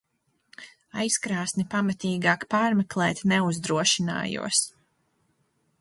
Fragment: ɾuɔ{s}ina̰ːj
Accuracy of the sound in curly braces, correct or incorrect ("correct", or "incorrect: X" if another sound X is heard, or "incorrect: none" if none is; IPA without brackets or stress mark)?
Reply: incorrect: ʃ